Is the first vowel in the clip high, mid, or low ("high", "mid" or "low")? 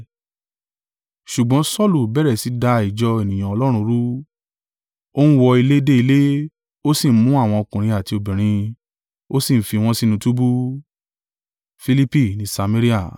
high